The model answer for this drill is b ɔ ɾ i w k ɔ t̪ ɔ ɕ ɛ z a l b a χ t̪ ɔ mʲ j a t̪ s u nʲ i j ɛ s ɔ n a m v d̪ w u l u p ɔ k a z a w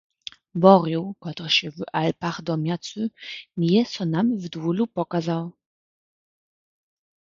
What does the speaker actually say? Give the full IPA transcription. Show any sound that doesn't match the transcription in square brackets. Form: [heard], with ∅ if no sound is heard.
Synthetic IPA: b ɔ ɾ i w k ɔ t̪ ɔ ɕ ɛ [v] a l [p] a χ [d̪] ɔ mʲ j a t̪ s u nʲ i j ɛ s ɔ n a m v d̪ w u l u p ɔ k a z a w